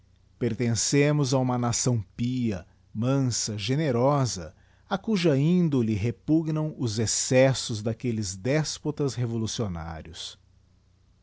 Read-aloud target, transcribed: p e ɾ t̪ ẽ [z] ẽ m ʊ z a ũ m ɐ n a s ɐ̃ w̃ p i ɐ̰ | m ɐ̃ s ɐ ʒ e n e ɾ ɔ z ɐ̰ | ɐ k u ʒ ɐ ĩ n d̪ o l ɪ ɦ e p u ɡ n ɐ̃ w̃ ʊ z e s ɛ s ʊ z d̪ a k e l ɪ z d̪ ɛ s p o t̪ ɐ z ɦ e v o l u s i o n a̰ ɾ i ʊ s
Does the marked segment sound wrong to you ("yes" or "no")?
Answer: yes